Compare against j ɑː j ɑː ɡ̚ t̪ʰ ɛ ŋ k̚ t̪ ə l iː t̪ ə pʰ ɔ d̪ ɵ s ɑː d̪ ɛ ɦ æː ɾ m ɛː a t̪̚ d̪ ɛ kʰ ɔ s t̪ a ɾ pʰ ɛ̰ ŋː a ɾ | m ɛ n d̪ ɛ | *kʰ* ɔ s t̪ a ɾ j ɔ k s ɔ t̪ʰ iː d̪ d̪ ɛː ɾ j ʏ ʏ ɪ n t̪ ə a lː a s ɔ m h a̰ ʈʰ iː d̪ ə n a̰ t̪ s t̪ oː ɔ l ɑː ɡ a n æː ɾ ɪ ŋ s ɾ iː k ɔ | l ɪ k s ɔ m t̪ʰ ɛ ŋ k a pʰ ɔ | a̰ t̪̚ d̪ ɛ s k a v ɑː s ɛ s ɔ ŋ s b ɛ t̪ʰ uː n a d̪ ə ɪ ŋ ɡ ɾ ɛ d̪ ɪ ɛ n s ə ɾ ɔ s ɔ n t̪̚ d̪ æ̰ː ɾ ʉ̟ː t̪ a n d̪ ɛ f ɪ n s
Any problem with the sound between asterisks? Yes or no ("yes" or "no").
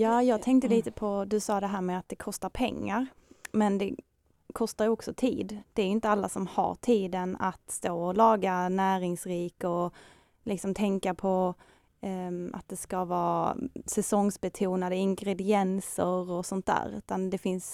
no